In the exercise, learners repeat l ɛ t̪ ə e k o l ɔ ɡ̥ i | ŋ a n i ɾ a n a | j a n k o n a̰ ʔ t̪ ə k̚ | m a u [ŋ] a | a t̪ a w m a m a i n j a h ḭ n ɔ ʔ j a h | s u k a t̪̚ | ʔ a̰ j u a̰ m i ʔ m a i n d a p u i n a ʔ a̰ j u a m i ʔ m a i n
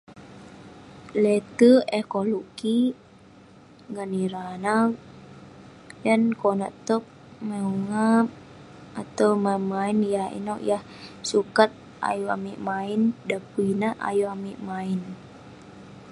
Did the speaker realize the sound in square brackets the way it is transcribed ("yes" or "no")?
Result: yes